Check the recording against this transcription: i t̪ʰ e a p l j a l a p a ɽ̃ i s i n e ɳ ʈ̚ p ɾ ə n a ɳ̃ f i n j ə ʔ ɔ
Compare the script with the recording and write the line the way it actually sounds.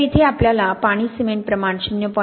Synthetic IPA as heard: i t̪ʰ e a p l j a l a p a ɽ̃ i s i m e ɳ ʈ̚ p ɾ ə m a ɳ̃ ɕ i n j ə p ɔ

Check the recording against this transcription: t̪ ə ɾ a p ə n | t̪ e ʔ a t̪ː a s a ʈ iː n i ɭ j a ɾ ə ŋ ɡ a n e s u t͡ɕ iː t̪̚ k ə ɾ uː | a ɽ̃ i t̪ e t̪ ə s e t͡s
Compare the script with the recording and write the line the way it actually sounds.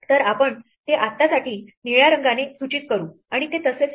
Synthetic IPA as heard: t̪ ə ɾ a p ə ɳ | t̪ e ʔ a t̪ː a s a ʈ iː n i ɭ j a ɾ ə ŋ ɡ a n e s u t͡ɕ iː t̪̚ k ə ɾ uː | a ɽ̃ i t̪ e t̪ ə s e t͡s

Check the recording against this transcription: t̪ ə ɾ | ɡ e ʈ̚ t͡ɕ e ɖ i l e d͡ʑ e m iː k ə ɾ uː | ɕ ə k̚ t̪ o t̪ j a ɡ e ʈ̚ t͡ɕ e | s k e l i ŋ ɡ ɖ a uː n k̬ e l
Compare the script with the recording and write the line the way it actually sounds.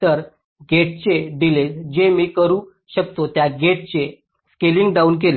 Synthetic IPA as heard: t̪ ə ɾ | ɡ e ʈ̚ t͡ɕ e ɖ i l e d͡ʑ e m iː k ə ɾ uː | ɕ ə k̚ t̪ o t̪ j a ɡ e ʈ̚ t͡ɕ e | s k e l i ŋ ɡ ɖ a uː n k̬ e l

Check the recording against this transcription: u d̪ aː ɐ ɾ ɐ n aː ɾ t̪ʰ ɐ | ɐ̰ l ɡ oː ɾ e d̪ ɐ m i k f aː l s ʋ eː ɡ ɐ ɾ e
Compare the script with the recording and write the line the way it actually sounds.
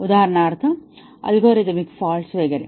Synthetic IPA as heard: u d̪ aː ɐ ɾ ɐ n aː ɾ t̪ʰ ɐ | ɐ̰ l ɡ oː ɾ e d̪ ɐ m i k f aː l s ʋ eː ɡ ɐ ɾ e

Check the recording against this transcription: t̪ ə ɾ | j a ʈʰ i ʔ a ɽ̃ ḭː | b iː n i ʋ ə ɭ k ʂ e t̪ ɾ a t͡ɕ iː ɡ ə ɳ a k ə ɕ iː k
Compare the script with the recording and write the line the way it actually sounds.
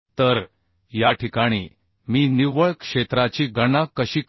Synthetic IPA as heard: t̪ ə ɾ | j a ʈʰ i k a ɽ̃ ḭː | m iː n i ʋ ə ɭ k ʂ e t̪ ɾ a t͡ɕ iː ɡ ə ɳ a k ə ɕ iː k

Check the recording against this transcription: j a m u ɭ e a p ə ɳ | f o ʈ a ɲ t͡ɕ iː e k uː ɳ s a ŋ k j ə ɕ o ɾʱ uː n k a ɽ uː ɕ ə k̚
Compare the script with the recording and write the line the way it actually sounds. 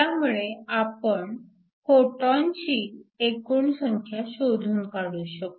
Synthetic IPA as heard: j a m u ɭ e a p ə ɳ | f o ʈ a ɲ t͡ɕ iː e k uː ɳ s ə ŋ kʰ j a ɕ o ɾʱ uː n k a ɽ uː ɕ ə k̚

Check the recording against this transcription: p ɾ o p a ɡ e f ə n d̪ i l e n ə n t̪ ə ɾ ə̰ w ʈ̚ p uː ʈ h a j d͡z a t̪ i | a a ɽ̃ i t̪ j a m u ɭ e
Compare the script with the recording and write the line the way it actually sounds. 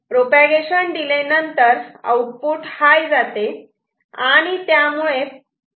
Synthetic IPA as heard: p ɾ o p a ɡ e ɕ ə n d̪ i l e n ə n t̪ ə ɾ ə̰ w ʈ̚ p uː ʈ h a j d͡z a t̪ e | a a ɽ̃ i t̪ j a m u ɭ e

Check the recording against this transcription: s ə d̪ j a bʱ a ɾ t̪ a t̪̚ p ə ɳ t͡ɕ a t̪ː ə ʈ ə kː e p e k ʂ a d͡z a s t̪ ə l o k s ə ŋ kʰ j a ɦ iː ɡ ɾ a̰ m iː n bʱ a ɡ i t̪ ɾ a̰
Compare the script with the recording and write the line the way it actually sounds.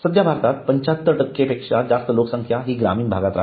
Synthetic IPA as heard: s ə d̪ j a bʱ a ɾ t̪ a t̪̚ p ə ɲ t͡ɕ a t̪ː ə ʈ ə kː e p e k ʂ a d͡z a s t̪ ə l o k s ə ŋ kʰ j a ɦ iː ɡ ɾ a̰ m iː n bʱ a ɡ a t̪ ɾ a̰

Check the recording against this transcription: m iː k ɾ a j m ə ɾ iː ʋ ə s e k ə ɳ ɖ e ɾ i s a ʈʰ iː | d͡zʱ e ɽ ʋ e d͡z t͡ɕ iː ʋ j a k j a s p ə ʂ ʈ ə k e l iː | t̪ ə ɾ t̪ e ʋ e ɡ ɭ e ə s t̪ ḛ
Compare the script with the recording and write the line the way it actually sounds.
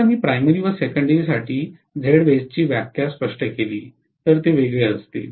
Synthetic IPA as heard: m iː p ɾ a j m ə ɾ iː ʋ ə s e k ə ɳ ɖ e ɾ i s a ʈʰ iː | d͡zʱ e ɽ ʋ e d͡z t͡ɕ iː ʋ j a k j a s p ə ʂ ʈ ə k e l iː | t̪ ə ɾ t̪ e ʋ e ɡ ɭ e ə s t̪ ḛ

